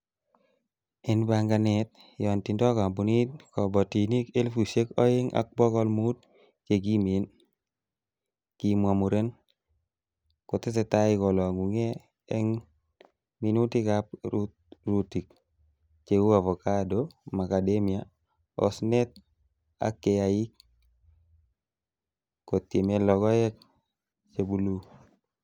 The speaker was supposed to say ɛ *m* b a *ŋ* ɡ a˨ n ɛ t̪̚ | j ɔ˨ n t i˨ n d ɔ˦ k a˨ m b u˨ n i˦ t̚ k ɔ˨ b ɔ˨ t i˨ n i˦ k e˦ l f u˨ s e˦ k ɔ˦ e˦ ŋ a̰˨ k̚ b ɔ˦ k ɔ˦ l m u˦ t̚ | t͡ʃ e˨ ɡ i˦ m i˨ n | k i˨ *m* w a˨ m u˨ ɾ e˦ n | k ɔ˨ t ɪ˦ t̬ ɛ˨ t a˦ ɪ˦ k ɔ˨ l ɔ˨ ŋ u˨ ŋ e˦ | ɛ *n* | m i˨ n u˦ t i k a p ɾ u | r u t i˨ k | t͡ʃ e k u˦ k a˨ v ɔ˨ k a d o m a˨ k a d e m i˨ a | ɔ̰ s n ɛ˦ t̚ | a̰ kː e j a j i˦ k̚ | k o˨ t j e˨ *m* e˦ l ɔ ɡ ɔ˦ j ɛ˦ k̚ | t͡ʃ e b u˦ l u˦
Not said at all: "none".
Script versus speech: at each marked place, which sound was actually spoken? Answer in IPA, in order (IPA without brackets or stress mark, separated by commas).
n, ŋ, m, ŋ, m